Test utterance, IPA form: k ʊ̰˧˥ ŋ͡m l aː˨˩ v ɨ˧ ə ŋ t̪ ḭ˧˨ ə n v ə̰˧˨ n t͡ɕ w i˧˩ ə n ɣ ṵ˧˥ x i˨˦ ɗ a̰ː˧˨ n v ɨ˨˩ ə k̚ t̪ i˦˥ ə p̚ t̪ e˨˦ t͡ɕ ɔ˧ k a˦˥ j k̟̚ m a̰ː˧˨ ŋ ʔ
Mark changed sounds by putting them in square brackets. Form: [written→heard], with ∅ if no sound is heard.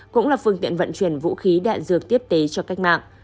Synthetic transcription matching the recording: k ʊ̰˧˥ ŋ͡m l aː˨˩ [v→f] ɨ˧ ə ŋ t̪ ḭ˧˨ ə n v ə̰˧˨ n t͡ɕ w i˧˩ ə n [ɣ→v] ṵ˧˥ x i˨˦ ɗ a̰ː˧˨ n [v→z] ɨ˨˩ ə k̚ t̪ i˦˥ ə p̚ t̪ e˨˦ t͡ɕ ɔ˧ k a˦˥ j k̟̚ m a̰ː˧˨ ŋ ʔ